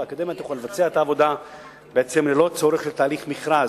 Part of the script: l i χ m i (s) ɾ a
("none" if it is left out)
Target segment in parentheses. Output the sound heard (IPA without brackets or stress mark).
χ